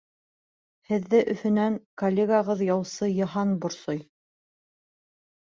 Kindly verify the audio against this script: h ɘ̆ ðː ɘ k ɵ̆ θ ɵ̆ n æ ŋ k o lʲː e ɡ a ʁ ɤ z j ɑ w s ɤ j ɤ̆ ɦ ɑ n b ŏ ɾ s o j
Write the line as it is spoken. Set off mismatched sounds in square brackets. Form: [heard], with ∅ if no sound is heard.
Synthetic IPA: h ɘ̆ ðː ɘ [ʔ] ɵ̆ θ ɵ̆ n æ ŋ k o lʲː e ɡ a ʁ ɤ [ð] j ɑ w s ɤ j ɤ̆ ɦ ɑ n b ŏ ɾ s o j